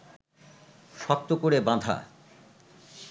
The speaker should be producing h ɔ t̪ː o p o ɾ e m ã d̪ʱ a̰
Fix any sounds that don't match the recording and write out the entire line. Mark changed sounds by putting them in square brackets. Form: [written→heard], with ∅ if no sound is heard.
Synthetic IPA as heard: [h→ʃ] ɔ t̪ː o [p→k] o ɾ e [m→b] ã d̪ʱ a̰